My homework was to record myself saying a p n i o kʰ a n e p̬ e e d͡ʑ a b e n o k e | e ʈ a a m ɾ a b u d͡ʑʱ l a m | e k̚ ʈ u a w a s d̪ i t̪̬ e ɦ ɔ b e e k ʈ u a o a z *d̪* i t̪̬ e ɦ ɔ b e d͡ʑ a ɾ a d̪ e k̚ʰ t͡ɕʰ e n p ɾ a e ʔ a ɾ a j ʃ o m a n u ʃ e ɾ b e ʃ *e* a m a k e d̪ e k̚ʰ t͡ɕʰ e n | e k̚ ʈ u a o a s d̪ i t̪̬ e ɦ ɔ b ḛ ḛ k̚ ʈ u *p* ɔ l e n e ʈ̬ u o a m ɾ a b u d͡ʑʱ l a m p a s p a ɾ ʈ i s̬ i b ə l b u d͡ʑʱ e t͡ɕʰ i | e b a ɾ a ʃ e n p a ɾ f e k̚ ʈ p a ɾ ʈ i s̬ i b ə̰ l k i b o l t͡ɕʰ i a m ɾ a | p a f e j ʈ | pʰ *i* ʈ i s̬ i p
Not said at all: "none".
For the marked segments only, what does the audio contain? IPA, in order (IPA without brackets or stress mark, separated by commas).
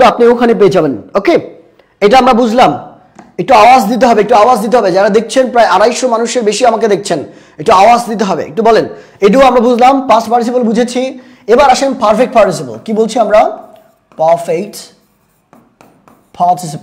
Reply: d̪, i, b, a